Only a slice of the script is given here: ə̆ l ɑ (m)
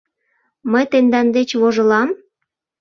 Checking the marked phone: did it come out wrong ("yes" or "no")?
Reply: no